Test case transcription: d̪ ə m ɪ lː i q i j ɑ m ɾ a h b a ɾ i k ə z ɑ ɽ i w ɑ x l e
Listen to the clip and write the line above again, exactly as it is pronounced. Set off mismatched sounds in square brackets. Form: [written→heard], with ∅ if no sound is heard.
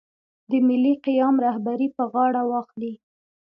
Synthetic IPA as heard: d̪ ə m ɪ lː i q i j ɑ m ɾ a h b a ɾ i [k→p] ə [z→ɣ] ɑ ɽ [i→a] w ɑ x l [e→i]